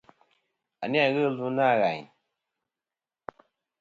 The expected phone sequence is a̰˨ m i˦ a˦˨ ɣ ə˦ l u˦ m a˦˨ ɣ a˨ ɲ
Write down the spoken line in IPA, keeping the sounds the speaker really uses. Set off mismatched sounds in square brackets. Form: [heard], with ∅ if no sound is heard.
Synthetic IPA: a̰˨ [n] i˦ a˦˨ ɣ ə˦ l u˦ [n] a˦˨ ɣ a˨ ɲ